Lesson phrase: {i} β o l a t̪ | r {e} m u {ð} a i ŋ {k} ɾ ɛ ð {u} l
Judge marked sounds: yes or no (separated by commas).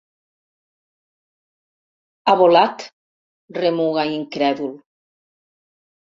no, yes, no, yes, yes